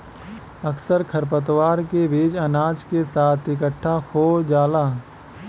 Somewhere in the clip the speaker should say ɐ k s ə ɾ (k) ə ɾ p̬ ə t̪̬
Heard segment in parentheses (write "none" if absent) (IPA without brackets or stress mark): kʰ